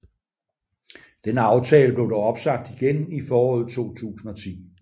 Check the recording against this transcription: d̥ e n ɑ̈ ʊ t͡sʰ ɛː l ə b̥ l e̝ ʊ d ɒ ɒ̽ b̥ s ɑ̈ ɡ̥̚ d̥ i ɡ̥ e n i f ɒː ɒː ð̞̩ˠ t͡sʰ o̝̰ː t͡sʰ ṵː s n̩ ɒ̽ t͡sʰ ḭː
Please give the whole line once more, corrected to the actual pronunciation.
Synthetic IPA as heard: d̥ e n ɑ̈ ʊ t͡sʰ ɛː l ə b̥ l e̝ ʊ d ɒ ɒ̽ b̥ s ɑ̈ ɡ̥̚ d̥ i ɡ̥ e n i f ɒː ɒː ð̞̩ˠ t͡sʰ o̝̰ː t͡sʰ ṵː s n̩ ɒ̽ t͡sʰ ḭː